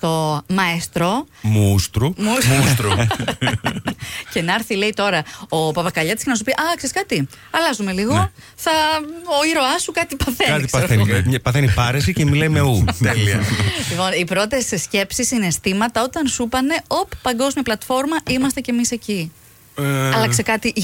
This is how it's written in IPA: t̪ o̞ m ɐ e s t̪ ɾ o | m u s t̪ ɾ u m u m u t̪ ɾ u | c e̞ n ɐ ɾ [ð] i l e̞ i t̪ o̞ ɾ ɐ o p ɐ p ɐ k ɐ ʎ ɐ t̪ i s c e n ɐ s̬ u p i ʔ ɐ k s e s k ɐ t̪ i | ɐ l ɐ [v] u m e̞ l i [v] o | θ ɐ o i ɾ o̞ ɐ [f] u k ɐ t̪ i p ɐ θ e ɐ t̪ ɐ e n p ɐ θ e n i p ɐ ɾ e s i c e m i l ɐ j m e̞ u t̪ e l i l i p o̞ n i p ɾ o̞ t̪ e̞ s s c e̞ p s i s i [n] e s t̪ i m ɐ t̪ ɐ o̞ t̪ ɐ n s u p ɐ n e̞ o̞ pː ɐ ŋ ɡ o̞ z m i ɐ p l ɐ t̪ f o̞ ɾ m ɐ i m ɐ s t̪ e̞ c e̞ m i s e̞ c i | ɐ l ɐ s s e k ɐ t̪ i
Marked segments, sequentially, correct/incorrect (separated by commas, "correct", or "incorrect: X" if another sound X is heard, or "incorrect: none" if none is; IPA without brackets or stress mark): incorrect: θ, incorrect: z, incorrect: ɣ, incorrect: s, correct